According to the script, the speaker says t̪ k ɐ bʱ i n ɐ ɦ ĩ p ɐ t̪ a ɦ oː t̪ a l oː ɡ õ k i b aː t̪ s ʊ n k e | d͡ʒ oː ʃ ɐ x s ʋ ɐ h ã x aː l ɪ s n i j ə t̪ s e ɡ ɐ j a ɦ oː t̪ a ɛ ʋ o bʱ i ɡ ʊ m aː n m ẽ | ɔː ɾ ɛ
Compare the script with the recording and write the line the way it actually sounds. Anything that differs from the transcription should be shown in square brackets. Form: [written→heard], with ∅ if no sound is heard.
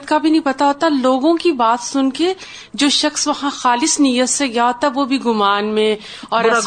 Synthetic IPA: t̪ k [ɐ→a] bʱ i n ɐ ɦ ĩ p ɐ t̪ a ɦ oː t̪ a l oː ɡ õ k i b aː t̪ s ʊ n k e | d͡ʒ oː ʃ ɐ x s ʋ ɐ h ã x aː l ɪ s n i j ə t̪ s e ɡ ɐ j a ɦ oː t̪ a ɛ ʋ o bʱ i ɡ ʊ m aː n m ẽ | ɔː ɾ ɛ